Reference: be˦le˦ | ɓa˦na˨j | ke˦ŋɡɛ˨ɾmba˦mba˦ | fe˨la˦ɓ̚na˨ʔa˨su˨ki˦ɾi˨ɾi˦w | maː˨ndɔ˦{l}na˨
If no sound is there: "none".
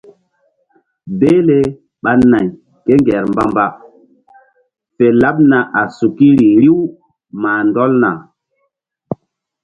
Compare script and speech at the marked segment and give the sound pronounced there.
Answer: l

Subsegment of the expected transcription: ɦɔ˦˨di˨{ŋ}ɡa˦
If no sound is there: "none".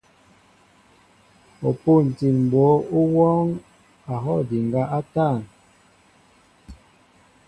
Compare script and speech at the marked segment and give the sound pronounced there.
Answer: ŋ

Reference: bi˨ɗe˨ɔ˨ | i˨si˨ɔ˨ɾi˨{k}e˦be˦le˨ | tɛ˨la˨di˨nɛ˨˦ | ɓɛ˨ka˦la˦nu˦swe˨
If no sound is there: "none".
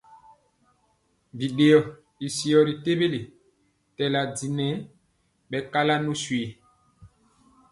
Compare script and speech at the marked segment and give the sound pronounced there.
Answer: t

